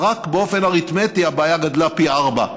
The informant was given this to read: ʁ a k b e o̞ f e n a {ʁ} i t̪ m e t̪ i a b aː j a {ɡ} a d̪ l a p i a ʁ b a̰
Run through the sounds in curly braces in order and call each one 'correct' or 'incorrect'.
correct, correct

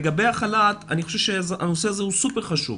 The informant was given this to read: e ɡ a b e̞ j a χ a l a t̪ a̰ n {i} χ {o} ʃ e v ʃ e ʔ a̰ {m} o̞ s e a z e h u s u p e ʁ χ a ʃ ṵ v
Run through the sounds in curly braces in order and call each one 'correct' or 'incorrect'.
correct, correct, incorrect: n

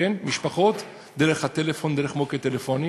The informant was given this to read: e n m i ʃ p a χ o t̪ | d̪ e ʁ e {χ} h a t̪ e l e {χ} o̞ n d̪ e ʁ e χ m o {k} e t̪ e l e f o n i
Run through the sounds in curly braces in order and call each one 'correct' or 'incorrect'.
correct, incorrect: f, correct

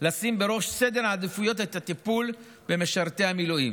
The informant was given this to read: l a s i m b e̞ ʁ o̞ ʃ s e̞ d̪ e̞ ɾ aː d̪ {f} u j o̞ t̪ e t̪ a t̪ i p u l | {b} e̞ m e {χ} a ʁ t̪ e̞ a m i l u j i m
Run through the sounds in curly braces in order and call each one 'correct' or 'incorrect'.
correct, correct, incorrect: ʃ

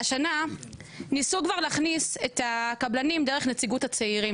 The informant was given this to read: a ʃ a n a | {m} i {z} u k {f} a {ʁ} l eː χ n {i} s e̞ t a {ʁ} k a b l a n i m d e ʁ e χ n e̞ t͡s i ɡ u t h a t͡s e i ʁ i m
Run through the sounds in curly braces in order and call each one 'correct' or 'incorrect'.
incorrect: n, incorrect: s, incorrect: v, correct, correct, incorrect: none

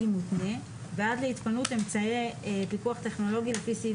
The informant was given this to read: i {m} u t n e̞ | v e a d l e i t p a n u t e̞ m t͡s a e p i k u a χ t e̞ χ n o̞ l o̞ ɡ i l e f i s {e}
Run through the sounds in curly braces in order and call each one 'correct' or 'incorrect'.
correct, incorrect: i

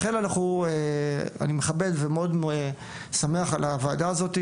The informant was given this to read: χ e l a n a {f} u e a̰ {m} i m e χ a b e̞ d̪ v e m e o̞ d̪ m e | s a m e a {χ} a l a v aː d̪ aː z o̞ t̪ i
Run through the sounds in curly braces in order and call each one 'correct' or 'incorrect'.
incorrect: χ, incorrect: n, correct

